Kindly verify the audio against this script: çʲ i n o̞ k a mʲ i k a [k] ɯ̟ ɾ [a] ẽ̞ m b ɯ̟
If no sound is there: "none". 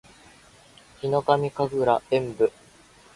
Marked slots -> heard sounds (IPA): ɡ, a

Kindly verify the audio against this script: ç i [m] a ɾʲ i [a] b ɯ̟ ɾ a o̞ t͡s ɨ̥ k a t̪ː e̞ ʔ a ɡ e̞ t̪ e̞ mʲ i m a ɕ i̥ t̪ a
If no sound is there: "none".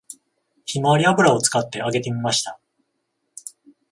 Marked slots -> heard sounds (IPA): m, a

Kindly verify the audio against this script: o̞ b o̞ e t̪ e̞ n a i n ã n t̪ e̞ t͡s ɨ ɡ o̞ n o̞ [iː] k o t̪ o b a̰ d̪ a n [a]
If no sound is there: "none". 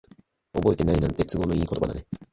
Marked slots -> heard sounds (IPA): iː, e

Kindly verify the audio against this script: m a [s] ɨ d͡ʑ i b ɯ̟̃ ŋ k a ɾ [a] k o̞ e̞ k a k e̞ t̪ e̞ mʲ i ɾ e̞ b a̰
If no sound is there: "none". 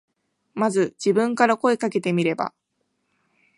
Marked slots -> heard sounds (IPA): z, a

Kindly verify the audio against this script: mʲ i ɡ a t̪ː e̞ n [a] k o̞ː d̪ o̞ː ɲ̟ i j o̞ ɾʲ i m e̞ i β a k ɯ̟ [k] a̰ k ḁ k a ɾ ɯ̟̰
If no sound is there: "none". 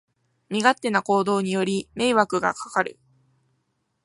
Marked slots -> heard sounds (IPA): a, ɡ

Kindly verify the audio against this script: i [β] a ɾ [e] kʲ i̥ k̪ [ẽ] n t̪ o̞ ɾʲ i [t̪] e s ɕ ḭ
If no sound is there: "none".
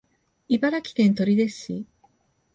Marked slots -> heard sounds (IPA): b, a, ẽ, d̪

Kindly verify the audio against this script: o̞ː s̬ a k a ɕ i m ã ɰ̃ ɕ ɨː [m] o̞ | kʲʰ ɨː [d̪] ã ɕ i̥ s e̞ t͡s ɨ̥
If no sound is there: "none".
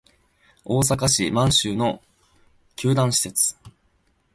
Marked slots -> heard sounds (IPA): n, d̪

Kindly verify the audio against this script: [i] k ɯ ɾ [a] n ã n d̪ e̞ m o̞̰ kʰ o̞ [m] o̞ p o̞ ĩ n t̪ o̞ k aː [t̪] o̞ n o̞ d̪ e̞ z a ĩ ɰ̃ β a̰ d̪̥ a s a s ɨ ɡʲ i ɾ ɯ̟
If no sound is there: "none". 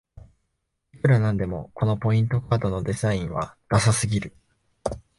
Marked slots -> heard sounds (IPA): i, a, n, d̪

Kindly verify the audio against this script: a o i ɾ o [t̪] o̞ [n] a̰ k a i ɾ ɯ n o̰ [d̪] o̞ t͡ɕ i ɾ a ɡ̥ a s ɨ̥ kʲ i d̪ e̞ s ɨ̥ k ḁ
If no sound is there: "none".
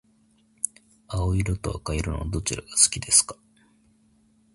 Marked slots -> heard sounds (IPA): t̪, none, d̪

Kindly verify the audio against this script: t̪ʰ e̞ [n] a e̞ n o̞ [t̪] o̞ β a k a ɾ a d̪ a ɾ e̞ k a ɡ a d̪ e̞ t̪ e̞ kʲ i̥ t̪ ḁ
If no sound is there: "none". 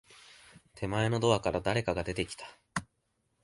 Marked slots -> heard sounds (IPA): m, d̪

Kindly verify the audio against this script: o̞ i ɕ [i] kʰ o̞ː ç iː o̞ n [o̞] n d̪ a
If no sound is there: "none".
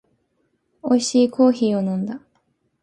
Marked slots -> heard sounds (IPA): iː, õ̞

